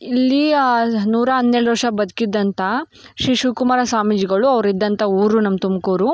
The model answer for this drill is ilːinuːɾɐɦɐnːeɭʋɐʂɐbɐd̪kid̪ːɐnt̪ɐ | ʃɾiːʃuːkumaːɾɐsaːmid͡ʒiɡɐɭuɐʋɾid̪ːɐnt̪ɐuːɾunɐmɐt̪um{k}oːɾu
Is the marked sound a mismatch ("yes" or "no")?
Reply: no